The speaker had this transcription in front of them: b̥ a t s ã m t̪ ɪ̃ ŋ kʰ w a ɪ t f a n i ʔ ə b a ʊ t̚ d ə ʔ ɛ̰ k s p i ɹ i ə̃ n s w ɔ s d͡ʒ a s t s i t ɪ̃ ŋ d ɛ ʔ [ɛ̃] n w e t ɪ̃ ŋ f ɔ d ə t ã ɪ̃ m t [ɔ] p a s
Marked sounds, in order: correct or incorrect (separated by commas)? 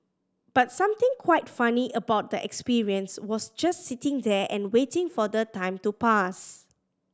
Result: correct, incorrect